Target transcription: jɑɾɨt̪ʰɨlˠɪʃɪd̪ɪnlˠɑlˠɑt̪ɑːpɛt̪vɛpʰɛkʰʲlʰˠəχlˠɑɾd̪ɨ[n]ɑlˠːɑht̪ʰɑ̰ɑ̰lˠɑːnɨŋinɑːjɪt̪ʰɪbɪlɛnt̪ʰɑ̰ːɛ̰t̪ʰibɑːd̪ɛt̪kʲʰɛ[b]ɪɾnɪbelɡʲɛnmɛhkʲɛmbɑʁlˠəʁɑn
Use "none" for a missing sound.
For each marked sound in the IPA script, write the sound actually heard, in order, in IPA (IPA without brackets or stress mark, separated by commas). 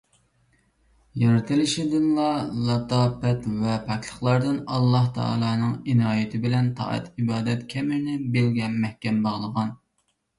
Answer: n, m